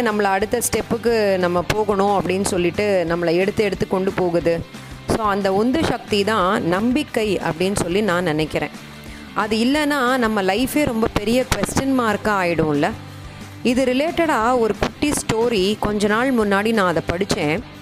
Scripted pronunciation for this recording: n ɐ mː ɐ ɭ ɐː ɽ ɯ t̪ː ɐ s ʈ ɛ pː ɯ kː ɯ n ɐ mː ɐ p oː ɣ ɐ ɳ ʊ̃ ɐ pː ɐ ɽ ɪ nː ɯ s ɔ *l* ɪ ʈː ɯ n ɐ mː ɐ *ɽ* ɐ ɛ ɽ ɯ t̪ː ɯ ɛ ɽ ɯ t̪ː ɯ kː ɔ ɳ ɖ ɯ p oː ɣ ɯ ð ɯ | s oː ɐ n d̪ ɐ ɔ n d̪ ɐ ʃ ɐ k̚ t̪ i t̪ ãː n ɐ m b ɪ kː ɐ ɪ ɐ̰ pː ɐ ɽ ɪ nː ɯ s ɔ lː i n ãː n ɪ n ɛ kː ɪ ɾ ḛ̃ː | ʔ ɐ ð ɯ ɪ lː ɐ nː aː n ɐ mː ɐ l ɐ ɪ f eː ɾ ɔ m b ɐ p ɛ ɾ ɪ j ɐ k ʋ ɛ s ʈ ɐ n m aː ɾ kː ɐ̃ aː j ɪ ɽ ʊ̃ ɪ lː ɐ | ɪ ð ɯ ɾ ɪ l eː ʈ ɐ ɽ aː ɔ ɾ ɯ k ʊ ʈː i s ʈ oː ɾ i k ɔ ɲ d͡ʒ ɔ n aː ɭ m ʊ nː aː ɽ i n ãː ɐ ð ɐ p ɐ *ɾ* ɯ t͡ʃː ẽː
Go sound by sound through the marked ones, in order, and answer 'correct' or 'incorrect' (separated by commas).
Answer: incorrect, incorrect, incorrect